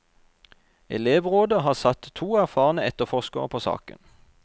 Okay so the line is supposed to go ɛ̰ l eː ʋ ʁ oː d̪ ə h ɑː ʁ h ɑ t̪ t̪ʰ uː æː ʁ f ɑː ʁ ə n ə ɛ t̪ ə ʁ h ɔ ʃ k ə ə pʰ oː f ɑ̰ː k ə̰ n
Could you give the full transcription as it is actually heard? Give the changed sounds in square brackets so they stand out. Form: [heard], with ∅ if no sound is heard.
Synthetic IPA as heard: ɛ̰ l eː ʋ ʁ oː d̪ ə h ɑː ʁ [s] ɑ t̪ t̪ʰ uː [æ] ʁ f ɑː ʁ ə n ə ɛ t̪ ə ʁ [f] ɔ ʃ k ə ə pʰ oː [s] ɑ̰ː k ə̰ n

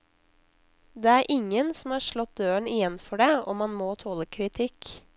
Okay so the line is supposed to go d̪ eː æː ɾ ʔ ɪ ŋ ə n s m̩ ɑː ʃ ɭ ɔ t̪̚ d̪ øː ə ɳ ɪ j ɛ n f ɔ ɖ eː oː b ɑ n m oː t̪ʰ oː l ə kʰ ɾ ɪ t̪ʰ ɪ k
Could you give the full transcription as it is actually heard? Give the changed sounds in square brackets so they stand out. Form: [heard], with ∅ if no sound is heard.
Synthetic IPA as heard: d̪ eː æː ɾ ʔ ɪ ŋ ə n s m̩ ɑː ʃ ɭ ɔ t̪̚ d̪ øː ə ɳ ɪ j ɛ n f ɔ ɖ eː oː [m] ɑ n m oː t̪ʰ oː l ə kʰ ɾ ɪ t̪ʰ ɪ k

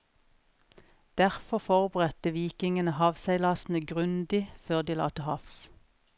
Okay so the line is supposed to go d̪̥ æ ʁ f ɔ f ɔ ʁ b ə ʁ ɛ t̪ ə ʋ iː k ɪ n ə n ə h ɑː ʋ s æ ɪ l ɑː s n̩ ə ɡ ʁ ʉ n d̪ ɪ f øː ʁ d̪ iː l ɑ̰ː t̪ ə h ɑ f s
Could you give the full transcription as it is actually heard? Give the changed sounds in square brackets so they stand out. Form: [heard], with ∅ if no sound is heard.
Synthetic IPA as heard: d̪̥ æ ʁ f ɔ f ɔ ʁ b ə ʁ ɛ t̪ ə ʋ iː k ɪ [ŋ] ə n ə h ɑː ʋ s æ ɪ l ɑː s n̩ ə ɡ ʁ ʉ n d̪ ɪ f øː ʁ d̪ iː l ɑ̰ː t̪ ə h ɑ f s

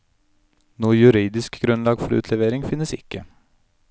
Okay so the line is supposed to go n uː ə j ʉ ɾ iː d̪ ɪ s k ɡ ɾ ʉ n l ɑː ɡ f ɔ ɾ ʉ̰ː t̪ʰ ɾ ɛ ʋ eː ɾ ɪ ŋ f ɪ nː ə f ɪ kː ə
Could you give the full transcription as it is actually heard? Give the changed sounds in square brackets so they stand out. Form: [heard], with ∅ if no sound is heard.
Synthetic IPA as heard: n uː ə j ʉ ɾ iː d̪ ɪ s k ɡ ɾ ʉ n l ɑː ɡ f ɔ ɾ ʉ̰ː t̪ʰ [l] ɛ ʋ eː ɾ ɪ ŋ f ɪ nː ə [s] ɪ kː ə

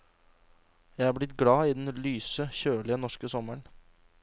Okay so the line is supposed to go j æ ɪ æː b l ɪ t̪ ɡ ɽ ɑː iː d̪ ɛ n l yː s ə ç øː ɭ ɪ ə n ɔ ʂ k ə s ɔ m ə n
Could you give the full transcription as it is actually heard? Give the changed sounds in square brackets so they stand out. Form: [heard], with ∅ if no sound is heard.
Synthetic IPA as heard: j æ ɪ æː b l ɪ t̪ ɡ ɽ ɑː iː d̪ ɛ n l yː s ə ç øː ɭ ɪ ə n ɔ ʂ k ə s ɔ m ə [ɳ]

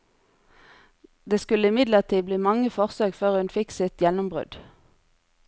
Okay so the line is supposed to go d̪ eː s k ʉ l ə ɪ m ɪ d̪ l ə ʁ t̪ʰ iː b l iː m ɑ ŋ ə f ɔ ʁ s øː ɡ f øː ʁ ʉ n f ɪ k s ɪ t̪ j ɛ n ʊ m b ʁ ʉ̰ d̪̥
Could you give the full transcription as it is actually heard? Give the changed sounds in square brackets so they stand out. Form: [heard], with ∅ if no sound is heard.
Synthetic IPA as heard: d̪ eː s k ʉ l ə ɪ m ɪ d̪ l ə ʁ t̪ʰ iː b l iː m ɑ ŋ ə f ɔ ʁ s øː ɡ f øː ʁ ʉ n f ɪ k s ɪ t̪ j ɛ n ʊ m b ʁ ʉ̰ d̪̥

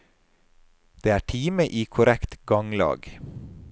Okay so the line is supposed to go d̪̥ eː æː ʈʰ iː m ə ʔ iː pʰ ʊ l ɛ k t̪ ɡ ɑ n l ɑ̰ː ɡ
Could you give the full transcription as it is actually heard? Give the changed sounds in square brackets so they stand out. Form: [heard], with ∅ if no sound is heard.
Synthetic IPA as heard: d̪̥ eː æː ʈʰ iː m ə ʔ iː [kʰ] ʊ [ɾ] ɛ k t̪ ɡ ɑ [ŋ] l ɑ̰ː ɡ

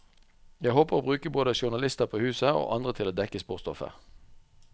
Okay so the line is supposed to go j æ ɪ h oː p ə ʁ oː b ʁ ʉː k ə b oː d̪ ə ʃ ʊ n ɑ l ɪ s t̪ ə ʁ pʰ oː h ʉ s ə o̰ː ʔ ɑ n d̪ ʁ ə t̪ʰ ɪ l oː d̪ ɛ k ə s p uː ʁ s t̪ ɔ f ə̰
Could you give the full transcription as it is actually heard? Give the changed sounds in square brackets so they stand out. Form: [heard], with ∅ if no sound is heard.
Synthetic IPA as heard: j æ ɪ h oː p ə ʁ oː b ʁ ʉː k ə b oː d̪ ə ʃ ʊ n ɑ l ɪ s t̪ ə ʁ pʰ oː h [ʉː] s ə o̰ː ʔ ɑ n d̪ ʁ ə t̪ʰ ɪ l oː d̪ ɛ k ə s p uː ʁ s t̪ ɔ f ə̰

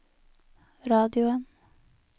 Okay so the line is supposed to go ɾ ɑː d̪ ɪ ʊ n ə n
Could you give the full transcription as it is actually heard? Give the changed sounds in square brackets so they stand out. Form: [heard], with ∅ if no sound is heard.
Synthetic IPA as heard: ɾ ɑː d̪ ɪ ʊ [∅] ə n

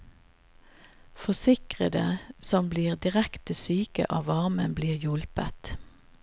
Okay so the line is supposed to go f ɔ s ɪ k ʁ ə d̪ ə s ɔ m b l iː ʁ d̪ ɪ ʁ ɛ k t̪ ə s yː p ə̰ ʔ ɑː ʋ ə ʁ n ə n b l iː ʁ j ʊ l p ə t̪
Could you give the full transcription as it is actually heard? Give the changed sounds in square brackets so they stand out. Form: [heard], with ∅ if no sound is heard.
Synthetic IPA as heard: f ɔ s ɪ k ʁ ə d̪ ə s ɔ m b l iː ʁ d̪ ɪ ʁ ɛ k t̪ ə s yː [k] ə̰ ʔ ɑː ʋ [ɑ] ʁ [m] ə n b l iː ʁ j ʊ l p ə t̪

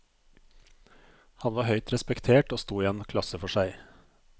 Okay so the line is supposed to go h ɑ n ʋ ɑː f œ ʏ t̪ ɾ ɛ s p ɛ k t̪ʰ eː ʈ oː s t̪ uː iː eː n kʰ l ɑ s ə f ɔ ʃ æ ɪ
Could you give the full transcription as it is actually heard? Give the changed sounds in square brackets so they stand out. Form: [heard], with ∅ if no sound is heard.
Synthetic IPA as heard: h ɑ n ʋ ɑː [h] œ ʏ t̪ ɾ ɛ s p ɛ k t̪ʰ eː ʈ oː s t̪ uː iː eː n kʰ l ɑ s ə f ɔ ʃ æ ɪ

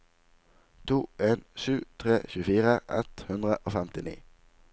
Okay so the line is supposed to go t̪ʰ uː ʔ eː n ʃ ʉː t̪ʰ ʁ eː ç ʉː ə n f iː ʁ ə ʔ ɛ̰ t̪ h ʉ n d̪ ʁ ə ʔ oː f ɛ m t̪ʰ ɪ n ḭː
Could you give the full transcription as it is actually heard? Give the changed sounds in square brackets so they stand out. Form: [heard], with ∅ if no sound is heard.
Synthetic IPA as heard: t̪ʰ uː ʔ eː n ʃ ʉː t̪ʰ ʁ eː ç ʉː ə [∅] f iː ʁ ə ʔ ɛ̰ t̪ h ʉ n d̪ ʁ ə ʔ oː f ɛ m [t̪] ɪ n ḭː

